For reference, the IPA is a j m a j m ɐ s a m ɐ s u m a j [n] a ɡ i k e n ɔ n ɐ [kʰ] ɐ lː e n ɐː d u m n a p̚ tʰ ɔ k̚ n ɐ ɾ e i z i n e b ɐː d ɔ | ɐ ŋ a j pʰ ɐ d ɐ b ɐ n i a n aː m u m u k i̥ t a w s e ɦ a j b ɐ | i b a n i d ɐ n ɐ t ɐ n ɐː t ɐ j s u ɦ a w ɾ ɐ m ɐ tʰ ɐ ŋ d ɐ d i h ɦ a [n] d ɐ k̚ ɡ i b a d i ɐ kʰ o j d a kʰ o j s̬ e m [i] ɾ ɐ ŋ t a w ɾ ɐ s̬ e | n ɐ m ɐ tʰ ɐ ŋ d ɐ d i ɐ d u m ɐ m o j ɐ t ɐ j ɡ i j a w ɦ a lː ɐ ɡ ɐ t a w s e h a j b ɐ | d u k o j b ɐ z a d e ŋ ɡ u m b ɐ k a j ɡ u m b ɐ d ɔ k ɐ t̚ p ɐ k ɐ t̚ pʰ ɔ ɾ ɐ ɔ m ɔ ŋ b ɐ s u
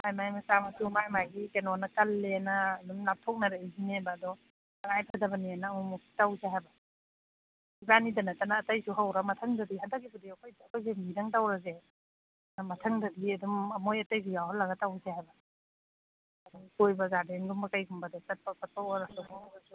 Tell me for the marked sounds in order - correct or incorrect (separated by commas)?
incorrect, incorrect, correct, correct